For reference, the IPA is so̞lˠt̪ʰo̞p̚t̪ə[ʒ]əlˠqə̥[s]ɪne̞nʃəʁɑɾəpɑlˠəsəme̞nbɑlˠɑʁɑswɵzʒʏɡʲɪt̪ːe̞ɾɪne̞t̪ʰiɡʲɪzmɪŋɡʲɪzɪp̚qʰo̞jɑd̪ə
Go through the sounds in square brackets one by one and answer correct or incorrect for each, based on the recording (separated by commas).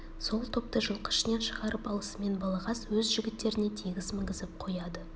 correct, incorrect